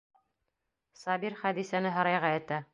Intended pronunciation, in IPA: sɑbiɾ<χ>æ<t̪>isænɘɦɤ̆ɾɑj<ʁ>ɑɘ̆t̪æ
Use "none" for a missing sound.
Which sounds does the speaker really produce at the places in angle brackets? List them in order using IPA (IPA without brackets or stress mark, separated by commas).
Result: χ, d̪, ʁ